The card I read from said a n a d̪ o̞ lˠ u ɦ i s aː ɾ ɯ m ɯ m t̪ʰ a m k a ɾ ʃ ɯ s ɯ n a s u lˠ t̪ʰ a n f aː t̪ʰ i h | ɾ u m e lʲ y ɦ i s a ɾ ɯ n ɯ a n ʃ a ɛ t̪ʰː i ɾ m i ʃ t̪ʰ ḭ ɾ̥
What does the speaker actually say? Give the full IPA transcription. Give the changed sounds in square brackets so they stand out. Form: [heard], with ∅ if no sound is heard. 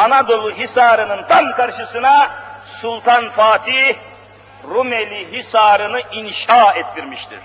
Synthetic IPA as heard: a n a d̪ o̞ lˠ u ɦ i s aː ɾ ɯ [n] ɯ [n] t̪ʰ a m k a ɾ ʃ ɯ s ɯ n a s u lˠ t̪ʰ a n f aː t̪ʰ i h | ɾ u m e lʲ [i] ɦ i s a ɾ ɯ n ɯ [i] n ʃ a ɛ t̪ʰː i ɾ m i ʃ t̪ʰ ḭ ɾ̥